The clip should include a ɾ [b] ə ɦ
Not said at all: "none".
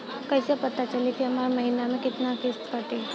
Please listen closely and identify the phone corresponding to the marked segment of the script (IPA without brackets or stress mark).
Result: m